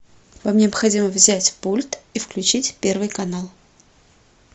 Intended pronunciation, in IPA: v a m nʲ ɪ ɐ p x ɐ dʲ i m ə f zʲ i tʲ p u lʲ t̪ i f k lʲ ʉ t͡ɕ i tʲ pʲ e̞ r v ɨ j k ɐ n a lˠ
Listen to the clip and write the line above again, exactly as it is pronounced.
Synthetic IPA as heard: v a m nʲ ɪ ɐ p x ɐ dʲ i m ə v zʲ æ tʲ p u lʲ t̪ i f k lʲ ʉ t͡ɕ i tʲ pʲ e̞ r v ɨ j k ɐ n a lˠ

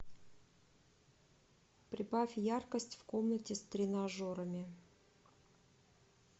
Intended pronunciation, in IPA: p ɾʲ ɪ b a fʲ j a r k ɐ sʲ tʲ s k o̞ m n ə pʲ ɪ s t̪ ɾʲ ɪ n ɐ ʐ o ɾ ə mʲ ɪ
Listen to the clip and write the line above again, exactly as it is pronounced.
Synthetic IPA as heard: p ɾʲ ɪ b a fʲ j a r k ə sʲ tʲ f k o̞ m n ə tʲ ɪ s t̪ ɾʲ ɪ n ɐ ʐ o ɾ ə mʲ ɪ

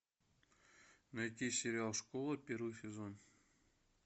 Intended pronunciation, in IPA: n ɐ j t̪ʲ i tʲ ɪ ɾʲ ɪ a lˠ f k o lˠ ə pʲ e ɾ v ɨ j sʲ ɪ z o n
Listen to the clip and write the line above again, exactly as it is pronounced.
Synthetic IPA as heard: n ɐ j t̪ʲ i sʲ ɪ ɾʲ ɪ a lˠ ʂ k o lˠ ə pʲ e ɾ v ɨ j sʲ ɪ z o n

